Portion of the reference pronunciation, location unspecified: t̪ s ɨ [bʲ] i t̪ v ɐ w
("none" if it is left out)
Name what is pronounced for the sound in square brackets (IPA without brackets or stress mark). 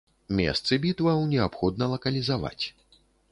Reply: bʲ